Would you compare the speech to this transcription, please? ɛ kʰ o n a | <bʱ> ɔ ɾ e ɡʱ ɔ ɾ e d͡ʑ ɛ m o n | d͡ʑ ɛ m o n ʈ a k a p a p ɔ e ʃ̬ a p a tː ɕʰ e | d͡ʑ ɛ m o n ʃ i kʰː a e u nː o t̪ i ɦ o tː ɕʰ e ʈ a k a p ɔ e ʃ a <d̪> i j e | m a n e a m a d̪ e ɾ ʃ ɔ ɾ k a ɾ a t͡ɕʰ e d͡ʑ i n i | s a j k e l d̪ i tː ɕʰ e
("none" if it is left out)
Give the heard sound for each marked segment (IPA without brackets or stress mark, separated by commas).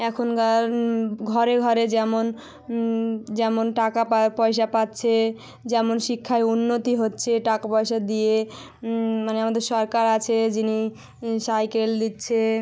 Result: ɡʱ, d̪